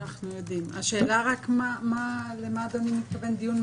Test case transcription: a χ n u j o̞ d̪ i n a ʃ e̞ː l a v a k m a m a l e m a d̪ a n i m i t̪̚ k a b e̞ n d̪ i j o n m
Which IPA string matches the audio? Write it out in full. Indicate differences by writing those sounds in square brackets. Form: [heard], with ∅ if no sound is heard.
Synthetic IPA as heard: a χ n u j o̞ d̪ i [m] a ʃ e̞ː l a [ʁ] a k m a m a l e m a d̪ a n i m i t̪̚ k a [v] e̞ n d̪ i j [u] n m